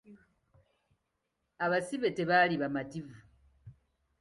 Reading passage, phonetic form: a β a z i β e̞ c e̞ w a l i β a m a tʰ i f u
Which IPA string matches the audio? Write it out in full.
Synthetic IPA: a β a s i β e̞ t e̞ β a l i β a m a t i v u